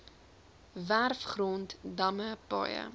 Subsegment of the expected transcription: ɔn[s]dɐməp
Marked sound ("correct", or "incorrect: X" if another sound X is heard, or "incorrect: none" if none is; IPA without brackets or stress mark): incorrect: t